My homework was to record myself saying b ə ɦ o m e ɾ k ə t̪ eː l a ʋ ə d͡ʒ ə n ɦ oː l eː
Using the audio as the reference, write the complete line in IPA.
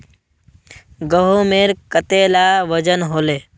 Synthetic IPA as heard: ɡ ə ɦ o m e ɾ k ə t̪ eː l a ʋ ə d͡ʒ ə n ɦ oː l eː